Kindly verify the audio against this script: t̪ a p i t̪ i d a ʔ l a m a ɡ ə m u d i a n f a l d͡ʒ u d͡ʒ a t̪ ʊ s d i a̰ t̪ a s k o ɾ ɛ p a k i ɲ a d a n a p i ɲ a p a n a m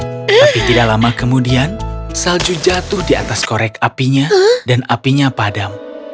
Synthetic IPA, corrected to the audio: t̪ a p i t̪ i d a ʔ l a m a k ə m u d i a n s a l d͡ʒ u d͡ʒ a t̪ ʊ h d i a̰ t̪ a s k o ɾ ɛ k a p i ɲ a d a n a p i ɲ a p a d a m